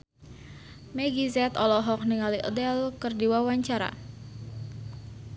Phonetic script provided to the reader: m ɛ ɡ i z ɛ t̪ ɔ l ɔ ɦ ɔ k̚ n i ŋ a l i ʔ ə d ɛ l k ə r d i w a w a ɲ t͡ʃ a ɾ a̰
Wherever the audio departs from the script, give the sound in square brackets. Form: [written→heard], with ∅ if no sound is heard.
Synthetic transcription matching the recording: m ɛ ɡ i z ɛ t̪ ɔ l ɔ ɦ ɔ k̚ n i ŋ a l i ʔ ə d ɛ l k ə r d i w a w a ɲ t͡ʃ a ɾ a̰